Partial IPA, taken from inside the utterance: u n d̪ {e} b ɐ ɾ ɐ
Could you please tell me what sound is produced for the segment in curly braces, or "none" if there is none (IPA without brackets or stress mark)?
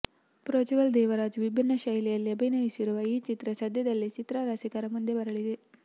e